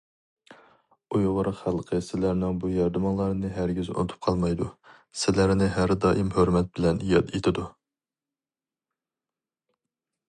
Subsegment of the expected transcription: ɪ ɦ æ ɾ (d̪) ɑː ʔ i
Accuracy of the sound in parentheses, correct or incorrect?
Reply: correct